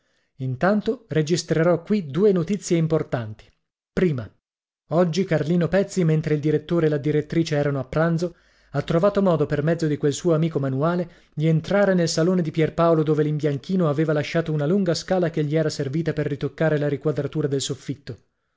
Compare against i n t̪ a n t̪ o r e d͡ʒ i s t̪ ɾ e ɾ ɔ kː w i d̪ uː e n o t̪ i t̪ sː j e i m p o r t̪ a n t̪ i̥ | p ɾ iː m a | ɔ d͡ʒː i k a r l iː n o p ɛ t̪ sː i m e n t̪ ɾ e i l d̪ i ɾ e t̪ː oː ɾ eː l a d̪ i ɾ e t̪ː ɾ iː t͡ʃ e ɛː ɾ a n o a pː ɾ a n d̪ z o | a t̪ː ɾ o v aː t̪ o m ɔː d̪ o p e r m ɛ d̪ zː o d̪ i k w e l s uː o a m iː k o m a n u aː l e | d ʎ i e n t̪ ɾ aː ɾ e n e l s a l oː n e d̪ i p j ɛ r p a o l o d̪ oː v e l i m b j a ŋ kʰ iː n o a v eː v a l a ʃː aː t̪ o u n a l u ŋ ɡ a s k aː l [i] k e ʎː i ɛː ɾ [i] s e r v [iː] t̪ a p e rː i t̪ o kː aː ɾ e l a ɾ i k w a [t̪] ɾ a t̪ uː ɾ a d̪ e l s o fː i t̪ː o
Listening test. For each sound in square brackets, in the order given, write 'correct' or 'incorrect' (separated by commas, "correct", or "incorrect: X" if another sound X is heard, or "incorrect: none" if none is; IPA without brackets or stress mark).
incorrect: a, incorrect: a, correct, incorrect: d̪